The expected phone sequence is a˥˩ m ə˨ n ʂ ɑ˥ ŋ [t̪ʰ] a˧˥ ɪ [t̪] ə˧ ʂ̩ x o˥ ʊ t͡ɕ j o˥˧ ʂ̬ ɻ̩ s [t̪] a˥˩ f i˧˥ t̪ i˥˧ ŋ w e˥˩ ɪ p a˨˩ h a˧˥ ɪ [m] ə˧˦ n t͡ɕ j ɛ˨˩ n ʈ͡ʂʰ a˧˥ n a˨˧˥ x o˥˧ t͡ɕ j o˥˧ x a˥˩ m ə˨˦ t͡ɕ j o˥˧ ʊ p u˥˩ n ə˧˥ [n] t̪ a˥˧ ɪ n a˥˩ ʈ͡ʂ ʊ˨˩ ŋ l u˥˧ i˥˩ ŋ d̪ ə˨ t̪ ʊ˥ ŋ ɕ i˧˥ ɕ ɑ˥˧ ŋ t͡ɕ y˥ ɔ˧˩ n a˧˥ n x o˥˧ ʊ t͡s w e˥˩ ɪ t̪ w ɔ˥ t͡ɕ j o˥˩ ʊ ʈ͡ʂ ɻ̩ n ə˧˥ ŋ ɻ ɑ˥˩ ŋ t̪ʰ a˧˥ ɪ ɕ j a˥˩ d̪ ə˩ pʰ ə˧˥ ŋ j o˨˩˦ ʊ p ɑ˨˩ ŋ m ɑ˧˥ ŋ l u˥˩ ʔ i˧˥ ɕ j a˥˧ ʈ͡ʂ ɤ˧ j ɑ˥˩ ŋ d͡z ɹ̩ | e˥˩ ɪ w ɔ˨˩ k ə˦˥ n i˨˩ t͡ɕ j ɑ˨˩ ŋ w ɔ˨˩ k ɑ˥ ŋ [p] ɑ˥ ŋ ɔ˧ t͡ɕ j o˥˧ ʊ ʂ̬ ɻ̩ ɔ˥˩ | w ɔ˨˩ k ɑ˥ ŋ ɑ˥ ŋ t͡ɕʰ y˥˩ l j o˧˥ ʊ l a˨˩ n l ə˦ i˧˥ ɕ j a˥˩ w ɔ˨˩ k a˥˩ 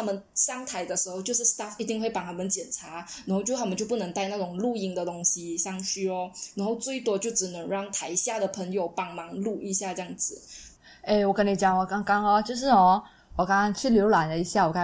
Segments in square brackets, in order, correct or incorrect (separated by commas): correct, incorrect, correct, correct, incorrect, incorrect